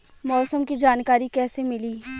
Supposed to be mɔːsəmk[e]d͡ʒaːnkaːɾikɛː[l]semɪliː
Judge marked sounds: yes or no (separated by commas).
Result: no, no